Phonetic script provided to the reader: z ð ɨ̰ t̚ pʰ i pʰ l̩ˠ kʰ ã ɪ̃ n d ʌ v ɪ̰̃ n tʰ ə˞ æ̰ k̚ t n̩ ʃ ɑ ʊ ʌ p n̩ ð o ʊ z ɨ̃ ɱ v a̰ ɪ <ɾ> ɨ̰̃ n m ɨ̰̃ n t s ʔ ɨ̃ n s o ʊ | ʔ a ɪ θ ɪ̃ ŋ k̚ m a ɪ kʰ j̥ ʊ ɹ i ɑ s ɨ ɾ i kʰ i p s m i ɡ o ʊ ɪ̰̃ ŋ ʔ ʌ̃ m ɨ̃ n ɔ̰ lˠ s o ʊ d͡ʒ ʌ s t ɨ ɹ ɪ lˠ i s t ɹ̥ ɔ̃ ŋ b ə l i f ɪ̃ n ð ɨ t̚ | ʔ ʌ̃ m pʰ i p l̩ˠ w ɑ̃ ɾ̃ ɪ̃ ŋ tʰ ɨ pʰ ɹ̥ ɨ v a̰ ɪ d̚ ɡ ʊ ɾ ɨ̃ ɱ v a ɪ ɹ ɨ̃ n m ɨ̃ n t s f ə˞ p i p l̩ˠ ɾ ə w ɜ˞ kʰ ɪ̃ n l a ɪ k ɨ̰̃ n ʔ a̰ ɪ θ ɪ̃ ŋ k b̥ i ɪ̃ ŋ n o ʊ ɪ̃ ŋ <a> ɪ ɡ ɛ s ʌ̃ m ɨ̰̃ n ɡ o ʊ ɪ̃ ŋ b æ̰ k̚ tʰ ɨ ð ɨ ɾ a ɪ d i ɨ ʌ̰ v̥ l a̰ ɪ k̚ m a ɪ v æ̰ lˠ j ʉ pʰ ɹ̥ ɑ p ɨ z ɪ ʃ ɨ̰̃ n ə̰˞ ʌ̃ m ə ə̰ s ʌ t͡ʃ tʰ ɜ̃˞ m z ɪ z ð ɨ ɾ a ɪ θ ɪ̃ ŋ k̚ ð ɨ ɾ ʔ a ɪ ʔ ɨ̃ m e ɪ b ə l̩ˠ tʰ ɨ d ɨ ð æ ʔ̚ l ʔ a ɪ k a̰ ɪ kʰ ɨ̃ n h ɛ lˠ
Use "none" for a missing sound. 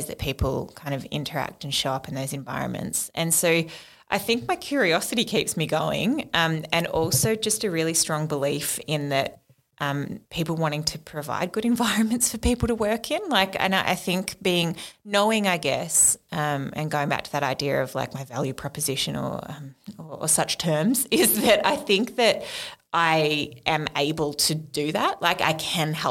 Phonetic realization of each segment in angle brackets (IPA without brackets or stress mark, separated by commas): ɹ, a